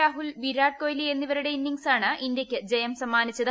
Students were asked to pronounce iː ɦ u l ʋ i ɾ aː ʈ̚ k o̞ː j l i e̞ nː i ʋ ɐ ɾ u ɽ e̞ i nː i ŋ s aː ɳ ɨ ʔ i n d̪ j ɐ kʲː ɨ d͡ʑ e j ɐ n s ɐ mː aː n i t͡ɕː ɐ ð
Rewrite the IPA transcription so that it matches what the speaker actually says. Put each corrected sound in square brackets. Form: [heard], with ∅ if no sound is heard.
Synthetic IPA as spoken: [aː] ɦ u l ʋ i ɾ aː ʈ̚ k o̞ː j l i e̞ nː i ʋ ɐ ɾ u ɽ e̞ i nː i ŋ s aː ɳ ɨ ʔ i n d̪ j ɐ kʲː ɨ d͡ʑ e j ɐ [m] s ɐ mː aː n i t͡ɕː ɐ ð